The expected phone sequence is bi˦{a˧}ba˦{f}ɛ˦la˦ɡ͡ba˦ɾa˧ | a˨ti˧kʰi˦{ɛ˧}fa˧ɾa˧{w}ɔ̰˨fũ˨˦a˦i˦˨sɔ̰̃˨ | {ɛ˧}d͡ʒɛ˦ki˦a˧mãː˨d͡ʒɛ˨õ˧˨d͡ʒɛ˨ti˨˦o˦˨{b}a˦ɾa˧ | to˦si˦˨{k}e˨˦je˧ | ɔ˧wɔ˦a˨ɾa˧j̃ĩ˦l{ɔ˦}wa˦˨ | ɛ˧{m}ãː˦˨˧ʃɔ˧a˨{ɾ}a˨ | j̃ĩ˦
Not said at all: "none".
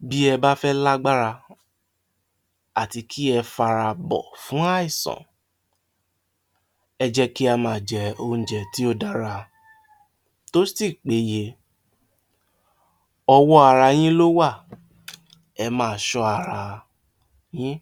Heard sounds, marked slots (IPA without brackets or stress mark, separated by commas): ɛ˧, f, ɛ˧, b, ɛ˧, d, k͡p, o˦, m, ɾ